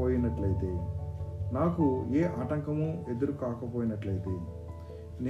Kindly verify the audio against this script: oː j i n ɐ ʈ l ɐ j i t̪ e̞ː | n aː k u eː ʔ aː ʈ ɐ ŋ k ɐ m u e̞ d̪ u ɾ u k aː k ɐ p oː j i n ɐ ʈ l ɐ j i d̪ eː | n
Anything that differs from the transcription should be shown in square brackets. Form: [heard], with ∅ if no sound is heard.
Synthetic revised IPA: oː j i n ɐ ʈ l ɐ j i t̪ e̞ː | n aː k u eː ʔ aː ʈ ɐ ŋ k ɐ m u e̞ d̪ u ɾ u k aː k ɐ p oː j i n ɐ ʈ l ɐ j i [t̪] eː | n